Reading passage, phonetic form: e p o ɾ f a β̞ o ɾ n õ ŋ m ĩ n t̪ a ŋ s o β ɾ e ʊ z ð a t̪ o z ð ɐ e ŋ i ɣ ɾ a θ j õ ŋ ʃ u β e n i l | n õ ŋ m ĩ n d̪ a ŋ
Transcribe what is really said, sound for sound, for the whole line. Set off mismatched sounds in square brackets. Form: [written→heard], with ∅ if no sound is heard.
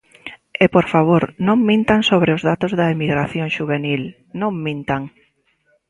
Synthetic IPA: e p o ɾ f a β̞ o ɾ n õ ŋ m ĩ n t̪ a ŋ s o β ɾ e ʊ z ð a t̪ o z ð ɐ e [ŋ→m] i ɣ ɾ a θ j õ ŋ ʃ u β e n i l | n õ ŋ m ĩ n [d̪→t̪] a ŋ